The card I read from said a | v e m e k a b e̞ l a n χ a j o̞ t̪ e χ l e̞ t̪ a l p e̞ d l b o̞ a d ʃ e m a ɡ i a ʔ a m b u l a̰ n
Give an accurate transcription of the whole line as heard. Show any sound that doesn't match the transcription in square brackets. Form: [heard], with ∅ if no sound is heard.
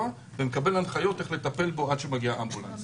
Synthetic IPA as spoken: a | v e m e k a b e̞ l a n χ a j o̞ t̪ e χ l e̞ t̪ a [∅] p e̞ [∅] l b o̞ a d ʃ e m a ɡ i a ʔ a m b u l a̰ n